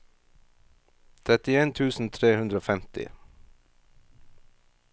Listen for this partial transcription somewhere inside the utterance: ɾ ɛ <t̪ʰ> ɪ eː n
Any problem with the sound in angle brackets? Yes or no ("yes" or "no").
yes